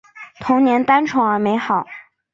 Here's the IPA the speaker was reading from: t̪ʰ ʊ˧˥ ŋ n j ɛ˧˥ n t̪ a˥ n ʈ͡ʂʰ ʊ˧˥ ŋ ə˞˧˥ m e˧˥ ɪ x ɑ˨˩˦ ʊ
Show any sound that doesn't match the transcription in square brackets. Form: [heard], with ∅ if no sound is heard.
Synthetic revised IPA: t̪ʰ ʊ˧˥ ŋ n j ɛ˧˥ n t̪ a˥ n ʈ͡ʂʰ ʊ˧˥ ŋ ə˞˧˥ m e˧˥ ɪ x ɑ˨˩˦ ʊ